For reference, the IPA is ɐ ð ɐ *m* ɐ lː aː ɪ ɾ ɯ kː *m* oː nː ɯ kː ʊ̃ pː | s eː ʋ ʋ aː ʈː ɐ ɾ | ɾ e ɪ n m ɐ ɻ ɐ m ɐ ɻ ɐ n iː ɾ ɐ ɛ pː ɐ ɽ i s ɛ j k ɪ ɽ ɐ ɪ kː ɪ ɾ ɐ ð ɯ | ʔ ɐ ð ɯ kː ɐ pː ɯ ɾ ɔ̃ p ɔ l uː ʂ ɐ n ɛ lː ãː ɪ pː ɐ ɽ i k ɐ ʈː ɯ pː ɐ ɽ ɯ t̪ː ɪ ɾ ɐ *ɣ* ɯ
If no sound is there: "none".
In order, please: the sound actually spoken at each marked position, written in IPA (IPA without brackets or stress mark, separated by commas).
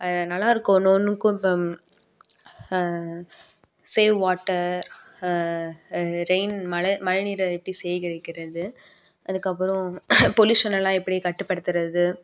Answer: n, n, ð